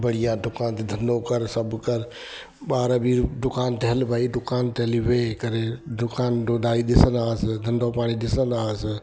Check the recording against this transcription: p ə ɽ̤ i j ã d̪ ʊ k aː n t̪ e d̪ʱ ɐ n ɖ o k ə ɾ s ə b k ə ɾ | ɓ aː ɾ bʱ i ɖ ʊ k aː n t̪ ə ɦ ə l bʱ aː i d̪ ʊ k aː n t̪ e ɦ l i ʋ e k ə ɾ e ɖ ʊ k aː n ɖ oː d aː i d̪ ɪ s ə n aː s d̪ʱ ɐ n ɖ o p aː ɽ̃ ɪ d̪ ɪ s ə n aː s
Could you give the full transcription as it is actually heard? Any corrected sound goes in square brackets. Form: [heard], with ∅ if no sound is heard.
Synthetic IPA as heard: [b] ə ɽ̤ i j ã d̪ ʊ k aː n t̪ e d̪ʱ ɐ n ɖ o k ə ɾ s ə b k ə ɾ | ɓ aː ɾ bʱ i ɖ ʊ k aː n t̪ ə ɦ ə l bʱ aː i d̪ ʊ k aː n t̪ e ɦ l i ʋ e k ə ɾ e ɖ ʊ k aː n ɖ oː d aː i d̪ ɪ s ə n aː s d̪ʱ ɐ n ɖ o p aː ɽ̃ [i] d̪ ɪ s ə n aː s